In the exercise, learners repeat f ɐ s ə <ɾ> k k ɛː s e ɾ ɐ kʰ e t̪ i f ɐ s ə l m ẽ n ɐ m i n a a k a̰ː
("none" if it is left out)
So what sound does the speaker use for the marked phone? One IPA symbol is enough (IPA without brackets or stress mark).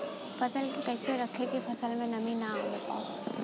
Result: l